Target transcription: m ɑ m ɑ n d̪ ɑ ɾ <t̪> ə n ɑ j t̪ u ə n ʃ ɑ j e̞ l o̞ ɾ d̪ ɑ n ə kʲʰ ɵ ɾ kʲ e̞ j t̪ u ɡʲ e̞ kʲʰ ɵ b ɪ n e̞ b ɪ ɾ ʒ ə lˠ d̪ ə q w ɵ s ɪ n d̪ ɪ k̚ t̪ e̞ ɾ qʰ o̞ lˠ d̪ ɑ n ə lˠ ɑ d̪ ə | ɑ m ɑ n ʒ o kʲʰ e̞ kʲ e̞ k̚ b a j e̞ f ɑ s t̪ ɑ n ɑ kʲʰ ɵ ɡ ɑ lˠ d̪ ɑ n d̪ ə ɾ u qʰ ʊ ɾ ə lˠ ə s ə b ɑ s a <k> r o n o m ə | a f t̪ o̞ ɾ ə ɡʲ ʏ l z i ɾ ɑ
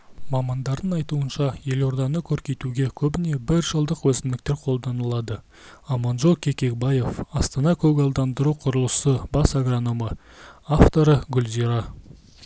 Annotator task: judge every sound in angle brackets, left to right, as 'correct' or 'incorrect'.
incorrect: d̪, incorrect: ɡ

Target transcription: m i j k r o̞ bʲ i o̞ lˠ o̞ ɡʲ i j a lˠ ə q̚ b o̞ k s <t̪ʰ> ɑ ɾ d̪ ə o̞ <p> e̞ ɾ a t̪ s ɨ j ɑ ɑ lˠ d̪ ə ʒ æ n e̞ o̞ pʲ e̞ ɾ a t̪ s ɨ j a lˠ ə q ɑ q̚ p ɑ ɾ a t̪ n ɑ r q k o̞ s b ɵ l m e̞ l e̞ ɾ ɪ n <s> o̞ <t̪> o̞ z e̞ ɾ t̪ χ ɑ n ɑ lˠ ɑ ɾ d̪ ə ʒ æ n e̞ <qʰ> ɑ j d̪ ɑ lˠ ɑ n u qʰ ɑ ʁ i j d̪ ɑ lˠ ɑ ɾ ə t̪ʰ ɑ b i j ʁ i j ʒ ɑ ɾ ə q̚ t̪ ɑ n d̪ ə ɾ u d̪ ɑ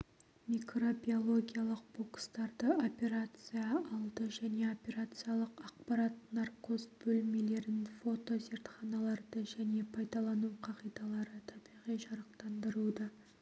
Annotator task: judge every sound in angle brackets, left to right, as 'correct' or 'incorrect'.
incorrect: t̪, correct, incorrect: f, correct, incorrect: pʰ

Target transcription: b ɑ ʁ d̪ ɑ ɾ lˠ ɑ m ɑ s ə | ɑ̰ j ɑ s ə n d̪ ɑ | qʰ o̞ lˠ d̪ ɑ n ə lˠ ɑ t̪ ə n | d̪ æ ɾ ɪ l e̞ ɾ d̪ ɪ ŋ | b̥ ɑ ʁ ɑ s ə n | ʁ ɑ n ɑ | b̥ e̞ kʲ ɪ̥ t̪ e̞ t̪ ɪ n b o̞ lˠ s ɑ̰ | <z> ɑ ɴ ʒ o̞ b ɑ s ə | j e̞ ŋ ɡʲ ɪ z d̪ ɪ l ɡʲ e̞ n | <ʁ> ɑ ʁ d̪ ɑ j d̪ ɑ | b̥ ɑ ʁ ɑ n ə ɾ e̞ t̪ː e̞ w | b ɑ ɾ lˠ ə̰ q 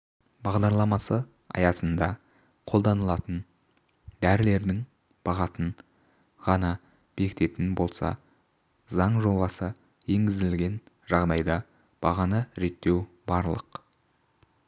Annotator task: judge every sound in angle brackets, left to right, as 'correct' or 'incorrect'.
correct, incorrect: ʒ

